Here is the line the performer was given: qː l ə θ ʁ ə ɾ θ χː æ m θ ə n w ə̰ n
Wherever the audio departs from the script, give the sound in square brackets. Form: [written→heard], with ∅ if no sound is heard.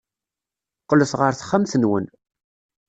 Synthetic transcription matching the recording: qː l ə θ ʁ ə ɾ θ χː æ m θ ə n w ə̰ n